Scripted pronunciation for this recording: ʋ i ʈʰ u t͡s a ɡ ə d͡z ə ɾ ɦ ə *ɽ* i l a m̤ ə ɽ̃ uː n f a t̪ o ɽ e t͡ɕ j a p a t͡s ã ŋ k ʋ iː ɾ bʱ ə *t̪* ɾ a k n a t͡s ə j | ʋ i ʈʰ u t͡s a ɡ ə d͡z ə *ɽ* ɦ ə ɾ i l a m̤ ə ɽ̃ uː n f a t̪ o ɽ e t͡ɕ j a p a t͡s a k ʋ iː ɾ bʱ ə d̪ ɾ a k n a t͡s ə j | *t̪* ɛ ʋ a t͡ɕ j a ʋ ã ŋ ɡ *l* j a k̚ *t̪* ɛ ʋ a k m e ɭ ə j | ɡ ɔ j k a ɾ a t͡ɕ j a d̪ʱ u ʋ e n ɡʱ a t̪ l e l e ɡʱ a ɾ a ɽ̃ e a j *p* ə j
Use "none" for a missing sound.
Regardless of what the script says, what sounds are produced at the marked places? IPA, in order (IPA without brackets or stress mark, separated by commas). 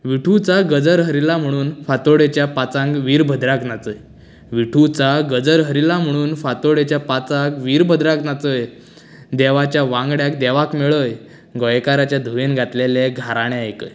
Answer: ɾ, d̪, ɾ, d̪, ɽ, d̪, k